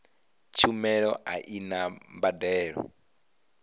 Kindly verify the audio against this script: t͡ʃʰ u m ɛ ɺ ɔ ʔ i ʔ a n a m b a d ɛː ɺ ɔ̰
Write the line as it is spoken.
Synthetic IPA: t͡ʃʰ u m ɛ ɺ ɔ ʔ a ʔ i n a m b a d ɛː ɺ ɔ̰